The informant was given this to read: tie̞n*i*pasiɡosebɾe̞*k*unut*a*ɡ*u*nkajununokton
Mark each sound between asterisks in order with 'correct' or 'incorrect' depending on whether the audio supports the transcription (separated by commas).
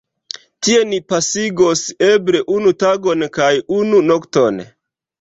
correct, incorrect, correct, incorrect